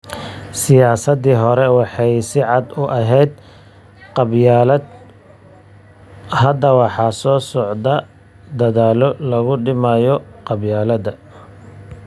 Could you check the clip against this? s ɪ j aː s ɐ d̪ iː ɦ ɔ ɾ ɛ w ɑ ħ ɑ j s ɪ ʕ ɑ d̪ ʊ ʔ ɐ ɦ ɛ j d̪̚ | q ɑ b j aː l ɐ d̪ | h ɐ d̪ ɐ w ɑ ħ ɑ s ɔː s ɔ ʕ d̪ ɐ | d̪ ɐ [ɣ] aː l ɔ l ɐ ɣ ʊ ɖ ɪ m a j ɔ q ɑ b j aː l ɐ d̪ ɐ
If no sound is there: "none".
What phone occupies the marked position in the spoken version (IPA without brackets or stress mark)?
ð